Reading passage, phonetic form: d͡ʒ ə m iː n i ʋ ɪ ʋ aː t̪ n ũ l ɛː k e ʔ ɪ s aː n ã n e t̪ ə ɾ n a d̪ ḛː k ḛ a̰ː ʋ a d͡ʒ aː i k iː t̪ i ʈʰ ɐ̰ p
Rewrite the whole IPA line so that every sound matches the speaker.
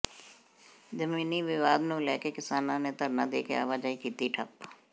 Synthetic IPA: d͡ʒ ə m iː n i ʋ ɪ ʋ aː d̪ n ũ l ɛː k e k ɪ s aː n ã n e t̪ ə ɾ n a d̪ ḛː k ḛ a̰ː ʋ a d͡ʒ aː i k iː t̪ i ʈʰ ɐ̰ p